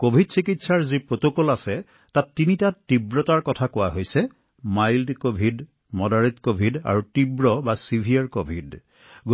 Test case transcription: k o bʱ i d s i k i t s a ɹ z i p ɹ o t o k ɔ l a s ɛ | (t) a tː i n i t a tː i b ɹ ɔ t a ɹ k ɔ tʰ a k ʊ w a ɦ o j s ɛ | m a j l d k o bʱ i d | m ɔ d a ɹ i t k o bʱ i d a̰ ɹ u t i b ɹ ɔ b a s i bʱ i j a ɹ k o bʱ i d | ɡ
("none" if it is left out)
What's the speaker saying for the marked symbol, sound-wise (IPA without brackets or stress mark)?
t